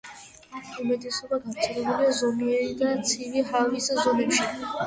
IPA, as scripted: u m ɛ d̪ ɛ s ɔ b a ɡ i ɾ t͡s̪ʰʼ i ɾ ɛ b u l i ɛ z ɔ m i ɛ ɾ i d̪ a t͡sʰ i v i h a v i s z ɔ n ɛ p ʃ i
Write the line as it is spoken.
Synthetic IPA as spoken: u m ɛ d̪ ɛ s ɔ b a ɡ a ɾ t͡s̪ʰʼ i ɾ ɛ b u l i a z ɔ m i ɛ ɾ i d̪ a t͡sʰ i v i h a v i s z ɔ n ɛ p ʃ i